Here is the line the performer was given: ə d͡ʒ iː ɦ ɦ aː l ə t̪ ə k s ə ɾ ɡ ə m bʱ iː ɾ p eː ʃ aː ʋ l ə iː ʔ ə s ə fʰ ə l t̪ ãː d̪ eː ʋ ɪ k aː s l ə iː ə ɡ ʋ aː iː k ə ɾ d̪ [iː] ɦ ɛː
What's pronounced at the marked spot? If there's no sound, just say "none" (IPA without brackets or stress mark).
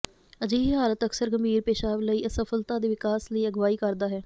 aː